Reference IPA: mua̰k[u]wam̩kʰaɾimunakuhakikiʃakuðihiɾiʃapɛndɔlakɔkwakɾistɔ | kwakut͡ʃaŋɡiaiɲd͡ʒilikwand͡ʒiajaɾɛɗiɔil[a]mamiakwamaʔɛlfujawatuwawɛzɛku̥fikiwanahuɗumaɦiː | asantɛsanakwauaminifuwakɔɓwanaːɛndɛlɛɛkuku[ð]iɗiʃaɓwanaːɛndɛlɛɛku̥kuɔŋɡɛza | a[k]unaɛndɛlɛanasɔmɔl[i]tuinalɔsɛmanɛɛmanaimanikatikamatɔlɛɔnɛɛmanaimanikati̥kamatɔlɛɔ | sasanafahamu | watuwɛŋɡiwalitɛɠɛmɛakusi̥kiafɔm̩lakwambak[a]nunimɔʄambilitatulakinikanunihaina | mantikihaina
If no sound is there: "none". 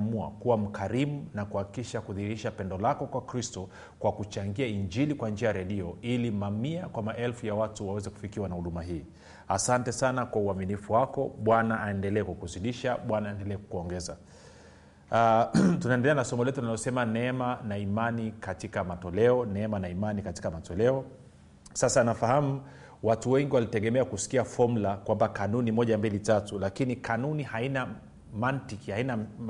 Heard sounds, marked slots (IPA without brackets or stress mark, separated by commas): u, i, z, t, ɛ, a